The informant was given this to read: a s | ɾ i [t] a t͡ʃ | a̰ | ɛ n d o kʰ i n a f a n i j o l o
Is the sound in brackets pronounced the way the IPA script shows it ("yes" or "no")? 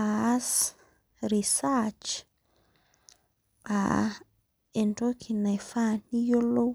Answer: no